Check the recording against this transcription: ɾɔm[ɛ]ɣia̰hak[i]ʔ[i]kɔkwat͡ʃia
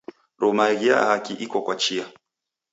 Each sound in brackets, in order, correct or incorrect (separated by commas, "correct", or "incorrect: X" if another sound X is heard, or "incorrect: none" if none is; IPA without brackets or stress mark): incorrect: a, correct, correct